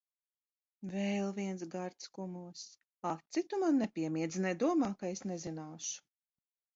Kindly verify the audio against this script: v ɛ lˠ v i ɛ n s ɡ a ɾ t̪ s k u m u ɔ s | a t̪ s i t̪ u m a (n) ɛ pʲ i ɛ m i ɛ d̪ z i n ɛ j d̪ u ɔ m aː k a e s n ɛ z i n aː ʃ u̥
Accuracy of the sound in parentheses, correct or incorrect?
incorrect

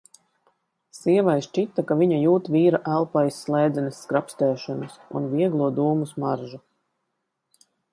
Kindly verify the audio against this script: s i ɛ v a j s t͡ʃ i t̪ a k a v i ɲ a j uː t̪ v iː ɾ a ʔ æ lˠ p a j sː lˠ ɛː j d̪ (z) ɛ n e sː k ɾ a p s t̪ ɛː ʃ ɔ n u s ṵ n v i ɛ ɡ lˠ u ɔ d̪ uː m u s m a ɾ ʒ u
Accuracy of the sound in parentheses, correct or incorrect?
correct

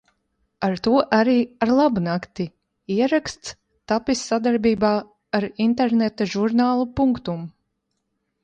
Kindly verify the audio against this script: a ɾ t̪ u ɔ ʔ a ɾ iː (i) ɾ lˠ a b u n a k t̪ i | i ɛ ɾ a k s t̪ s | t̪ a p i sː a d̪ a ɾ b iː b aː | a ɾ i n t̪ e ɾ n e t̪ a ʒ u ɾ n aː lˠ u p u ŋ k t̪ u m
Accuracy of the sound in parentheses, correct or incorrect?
incorrect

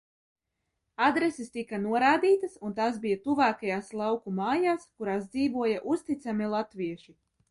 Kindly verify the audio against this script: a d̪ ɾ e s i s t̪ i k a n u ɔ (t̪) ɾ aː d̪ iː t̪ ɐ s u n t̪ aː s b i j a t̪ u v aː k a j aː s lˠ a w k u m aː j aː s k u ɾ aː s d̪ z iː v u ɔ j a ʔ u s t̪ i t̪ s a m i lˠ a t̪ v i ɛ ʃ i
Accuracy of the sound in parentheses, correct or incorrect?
incorrect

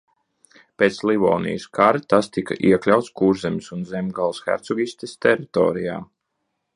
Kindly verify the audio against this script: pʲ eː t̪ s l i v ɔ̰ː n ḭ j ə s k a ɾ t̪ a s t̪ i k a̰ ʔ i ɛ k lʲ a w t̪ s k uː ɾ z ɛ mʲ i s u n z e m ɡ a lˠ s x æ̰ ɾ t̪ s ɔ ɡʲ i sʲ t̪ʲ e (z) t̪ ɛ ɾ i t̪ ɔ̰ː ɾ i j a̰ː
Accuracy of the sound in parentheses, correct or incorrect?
incorrect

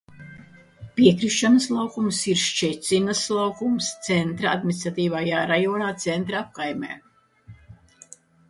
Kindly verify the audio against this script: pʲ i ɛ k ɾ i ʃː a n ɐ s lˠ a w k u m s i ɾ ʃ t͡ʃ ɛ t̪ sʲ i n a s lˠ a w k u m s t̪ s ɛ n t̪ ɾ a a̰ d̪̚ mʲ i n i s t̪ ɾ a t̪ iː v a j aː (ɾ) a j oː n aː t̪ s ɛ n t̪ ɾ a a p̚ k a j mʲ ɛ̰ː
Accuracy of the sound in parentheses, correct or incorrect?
correct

